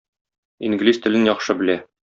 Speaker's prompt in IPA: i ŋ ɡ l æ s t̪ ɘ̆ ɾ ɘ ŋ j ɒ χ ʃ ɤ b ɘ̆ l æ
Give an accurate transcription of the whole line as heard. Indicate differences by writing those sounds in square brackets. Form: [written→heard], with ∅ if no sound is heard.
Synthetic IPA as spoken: i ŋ ɡ l [æ→i] s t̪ ɘ̆ [ɾ→l] ɘ [ŋ→n] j ɒ χ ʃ ɤ b ɘ̆ l æ